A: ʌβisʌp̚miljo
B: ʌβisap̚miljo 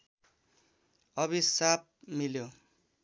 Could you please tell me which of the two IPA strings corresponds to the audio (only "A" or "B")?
B